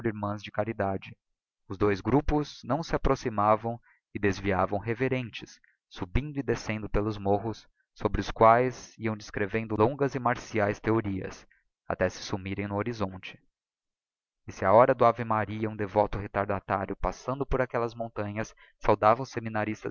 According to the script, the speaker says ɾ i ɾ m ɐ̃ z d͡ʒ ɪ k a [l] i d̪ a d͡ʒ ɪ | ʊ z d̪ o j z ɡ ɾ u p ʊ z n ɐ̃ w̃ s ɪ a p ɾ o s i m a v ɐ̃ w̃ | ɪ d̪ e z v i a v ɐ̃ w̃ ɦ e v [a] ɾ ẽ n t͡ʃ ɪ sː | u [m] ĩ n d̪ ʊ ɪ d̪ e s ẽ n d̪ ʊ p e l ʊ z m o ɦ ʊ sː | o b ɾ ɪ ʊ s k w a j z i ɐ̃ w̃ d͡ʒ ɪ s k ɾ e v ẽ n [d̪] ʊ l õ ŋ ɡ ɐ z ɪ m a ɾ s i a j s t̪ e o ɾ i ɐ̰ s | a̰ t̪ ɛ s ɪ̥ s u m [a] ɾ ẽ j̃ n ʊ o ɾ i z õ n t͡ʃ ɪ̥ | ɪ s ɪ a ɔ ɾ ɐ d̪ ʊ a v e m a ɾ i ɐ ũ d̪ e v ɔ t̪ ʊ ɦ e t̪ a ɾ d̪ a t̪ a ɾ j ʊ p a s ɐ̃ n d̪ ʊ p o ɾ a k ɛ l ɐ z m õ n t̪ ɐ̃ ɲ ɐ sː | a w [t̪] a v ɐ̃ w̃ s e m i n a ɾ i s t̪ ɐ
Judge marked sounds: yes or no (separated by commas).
no, no, no, yes, no, no